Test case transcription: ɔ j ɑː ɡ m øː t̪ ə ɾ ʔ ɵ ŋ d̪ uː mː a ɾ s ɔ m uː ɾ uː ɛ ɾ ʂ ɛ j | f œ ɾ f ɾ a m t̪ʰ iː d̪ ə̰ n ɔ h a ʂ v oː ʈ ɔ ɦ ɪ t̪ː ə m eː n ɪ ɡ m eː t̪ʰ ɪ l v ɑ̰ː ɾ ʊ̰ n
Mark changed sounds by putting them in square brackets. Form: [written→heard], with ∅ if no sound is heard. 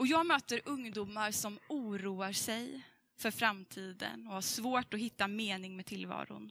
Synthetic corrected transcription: ɔ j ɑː ɡ m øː t̪ ə ɾ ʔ ɵ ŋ d̪ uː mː a ɾ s ɔ m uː ɾ uː [ɛ→a] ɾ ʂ ɛ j | f œ ɾ f ɾ a m t̪ʰ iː d̪ ə̰ n ɔ h a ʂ v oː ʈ ɔ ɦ ɪ t̪ː [ə→a] m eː n ɪ [ɡ→ŋ] m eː t̪ʰ ɪ l v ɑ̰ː ɾ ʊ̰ n